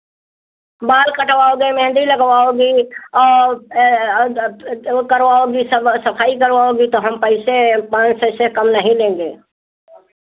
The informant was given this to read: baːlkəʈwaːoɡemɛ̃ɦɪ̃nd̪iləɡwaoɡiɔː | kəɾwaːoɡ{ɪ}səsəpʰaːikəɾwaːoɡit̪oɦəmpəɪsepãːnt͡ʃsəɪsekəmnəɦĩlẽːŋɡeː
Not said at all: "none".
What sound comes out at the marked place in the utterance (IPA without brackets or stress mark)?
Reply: i